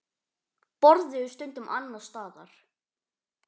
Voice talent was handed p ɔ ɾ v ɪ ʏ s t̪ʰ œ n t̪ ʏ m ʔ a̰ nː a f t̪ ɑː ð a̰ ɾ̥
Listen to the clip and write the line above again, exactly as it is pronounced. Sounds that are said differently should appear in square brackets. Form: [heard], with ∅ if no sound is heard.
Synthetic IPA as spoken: p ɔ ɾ [ð] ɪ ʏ s [t̪] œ n t̪ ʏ m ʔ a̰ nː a [s] t̪ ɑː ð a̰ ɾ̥